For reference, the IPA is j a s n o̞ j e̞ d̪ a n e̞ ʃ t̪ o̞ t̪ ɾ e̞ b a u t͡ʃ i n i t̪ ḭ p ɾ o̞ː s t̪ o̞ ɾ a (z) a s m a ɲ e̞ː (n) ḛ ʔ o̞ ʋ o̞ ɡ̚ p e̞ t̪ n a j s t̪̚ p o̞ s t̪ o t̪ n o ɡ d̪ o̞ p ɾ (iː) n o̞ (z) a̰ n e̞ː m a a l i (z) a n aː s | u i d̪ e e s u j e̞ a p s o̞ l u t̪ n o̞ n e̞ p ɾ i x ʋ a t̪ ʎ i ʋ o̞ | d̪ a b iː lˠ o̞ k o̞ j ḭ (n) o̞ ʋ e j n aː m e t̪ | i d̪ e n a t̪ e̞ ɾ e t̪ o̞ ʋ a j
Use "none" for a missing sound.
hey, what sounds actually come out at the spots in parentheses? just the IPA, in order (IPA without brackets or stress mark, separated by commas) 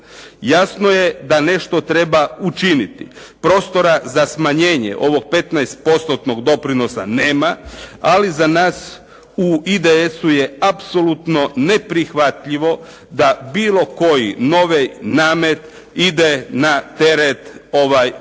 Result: z, ɲ, i, s, z, n